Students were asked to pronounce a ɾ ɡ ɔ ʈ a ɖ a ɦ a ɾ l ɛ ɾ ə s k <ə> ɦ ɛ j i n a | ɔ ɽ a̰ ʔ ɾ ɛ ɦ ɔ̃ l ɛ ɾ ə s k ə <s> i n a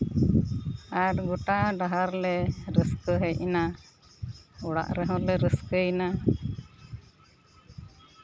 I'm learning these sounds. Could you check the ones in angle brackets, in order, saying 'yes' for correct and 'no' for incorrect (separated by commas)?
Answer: yes, no